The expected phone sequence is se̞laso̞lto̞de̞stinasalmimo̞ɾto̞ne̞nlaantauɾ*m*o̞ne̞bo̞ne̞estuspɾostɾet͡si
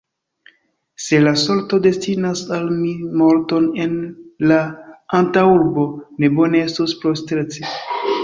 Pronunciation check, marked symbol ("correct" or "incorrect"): incorrect